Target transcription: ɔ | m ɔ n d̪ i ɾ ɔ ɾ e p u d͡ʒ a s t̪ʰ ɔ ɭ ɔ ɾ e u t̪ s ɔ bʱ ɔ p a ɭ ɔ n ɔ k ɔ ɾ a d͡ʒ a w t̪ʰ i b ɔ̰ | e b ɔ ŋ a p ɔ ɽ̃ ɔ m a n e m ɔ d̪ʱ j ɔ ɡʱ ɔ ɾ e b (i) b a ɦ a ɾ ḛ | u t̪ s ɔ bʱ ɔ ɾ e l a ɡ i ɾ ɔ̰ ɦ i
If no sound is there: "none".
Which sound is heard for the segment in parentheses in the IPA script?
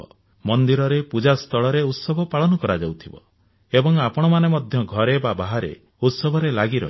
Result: a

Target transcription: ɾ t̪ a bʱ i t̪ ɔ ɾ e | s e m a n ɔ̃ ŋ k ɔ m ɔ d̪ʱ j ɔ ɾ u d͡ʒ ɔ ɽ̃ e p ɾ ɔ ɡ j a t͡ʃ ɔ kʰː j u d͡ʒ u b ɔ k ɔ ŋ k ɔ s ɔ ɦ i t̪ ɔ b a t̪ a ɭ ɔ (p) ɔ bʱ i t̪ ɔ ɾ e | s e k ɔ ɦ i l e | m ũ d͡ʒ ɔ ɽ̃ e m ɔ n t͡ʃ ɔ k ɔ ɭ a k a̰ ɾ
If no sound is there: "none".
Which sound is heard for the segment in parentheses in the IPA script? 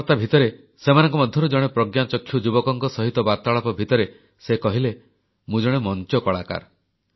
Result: p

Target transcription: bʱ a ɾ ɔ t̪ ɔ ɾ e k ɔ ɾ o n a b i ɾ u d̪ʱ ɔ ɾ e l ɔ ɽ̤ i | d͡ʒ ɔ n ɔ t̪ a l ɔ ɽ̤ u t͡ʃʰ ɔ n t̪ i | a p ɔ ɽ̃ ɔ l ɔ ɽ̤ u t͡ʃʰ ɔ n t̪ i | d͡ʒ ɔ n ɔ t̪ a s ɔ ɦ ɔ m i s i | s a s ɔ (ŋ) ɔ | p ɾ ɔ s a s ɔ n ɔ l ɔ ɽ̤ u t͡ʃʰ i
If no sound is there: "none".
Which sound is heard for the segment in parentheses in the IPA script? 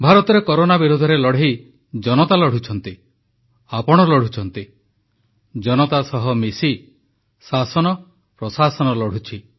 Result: n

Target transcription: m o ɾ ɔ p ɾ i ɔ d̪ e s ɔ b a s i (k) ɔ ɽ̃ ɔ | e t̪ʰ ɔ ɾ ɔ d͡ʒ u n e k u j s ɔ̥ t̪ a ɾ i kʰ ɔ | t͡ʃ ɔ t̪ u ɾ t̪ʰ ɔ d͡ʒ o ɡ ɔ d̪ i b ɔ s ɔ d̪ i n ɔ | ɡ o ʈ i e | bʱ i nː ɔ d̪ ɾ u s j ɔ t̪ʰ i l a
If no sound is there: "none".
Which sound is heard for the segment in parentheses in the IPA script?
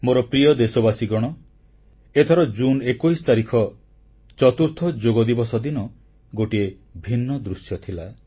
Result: ɡ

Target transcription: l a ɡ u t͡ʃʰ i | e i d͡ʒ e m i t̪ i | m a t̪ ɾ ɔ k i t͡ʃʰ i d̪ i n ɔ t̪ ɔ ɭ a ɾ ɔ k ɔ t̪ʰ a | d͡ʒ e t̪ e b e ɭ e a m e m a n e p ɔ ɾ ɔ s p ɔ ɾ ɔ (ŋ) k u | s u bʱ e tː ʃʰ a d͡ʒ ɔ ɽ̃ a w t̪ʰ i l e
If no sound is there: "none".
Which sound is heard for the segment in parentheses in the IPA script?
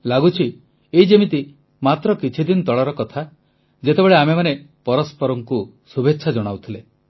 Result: ŋ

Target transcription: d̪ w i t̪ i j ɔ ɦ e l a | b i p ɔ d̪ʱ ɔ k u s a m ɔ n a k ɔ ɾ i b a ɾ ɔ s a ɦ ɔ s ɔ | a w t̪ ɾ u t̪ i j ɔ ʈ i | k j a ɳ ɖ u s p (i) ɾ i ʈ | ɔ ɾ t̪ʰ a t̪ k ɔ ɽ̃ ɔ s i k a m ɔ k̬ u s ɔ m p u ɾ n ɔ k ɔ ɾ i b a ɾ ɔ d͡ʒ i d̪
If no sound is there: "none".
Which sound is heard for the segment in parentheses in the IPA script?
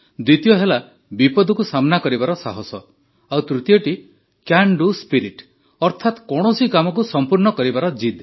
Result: i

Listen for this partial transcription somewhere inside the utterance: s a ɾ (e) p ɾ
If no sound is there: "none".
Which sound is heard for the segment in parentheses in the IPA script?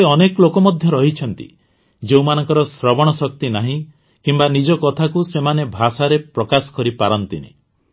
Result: e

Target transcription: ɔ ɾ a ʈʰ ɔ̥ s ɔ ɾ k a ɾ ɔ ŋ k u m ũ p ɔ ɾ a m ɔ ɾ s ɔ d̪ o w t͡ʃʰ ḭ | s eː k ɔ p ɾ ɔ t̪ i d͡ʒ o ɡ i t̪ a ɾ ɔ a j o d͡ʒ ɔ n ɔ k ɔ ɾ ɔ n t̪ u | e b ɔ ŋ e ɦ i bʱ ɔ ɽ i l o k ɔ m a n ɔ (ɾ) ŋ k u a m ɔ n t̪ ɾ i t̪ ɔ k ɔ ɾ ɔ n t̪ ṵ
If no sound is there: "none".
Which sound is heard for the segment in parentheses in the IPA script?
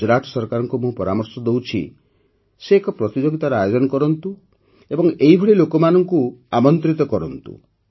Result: none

